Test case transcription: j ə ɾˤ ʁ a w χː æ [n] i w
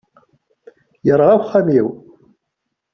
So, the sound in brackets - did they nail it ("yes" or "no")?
no